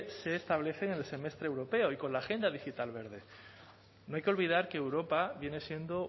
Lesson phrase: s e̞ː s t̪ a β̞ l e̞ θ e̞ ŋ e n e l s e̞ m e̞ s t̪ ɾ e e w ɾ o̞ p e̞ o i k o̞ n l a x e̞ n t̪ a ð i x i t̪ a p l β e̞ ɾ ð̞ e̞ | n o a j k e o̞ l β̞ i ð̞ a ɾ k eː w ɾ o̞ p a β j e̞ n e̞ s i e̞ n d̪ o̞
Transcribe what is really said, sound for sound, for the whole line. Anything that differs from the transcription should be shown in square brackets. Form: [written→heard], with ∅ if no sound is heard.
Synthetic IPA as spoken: s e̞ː s t̪ a β̞ l e̞ θ e̞ ŋ e n e l s e̞ m e̞ s t̪ ɾ e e w ɾ o̞ p e̞ o i k o̞ n l a x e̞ n [t̪→d̪] a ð i x i t̪ a [p→∅] l β e̞ ɾ ð̞ e̞ | n o a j k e o̞ l β̞ i ð̞ a ɾ k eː w ɾ o̞ p a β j e̞ n e̞ s [i→j] e̞ n d̪ o̞